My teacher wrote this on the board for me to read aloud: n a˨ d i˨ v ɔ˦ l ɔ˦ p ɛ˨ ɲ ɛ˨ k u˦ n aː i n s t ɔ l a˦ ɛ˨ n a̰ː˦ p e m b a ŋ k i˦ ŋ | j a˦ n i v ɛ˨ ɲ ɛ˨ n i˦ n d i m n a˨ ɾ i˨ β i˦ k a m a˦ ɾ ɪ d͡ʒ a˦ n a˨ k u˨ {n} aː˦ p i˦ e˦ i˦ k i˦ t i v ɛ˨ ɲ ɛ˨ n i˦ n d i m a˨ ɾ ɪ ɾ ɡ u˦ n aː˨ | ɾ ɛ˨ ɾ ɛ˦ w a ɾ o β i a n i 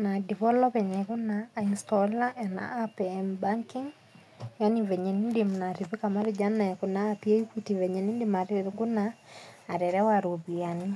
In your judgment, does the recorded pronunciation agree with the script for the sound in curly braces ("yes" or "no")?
yes